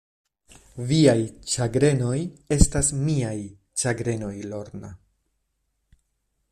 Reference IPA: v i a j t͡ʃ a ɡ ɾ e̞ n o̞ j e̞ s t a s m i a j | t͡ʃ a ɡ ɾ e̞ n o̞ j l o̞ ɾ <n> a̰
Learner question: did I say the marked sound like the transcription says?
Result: yes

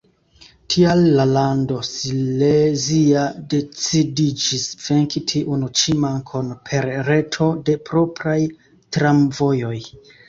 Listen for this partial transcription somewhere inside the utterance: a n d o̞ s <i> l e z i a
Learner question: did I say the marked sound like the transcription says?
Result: yes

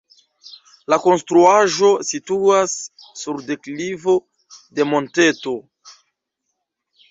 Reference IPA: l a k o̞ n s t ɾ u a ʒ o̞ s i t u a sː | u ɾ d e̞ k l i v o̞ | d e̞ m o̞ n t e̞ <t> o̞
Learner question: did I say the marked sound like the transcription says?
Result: yes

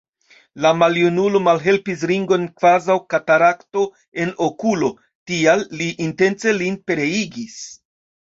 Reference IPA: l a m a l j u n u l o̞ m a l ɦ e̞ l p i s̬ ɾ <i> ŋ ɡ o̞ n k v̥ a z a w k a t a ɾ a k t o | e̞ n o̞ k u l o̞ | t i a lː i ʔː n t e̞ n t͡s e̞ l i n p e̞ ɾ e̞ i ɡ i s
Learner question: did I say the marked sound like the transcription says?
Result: yes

